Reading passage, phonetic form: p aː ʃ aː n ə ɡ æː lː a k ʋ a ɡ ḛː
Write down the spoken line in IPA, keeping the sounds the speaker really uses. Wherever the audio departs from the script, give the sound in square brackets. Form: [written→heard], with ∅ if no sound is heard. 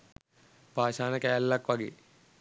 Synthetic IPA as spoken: p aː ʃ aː n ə [ɡ→k] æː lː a k ʋ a ɡ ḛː